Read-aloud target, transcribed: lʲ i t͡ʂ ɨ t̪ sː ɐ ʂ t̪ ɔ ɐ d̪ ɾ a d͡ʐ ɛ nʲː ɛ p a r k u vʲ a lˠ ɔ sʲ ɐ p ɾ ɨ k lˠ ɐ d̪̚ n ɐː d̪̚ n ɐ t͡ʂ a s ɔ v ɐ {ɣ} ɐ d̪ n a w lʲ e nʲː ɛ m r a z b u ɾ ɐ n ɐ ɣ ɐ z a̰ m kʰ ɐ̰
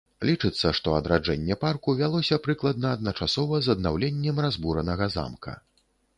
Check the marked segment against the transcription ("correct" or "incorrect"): incorrect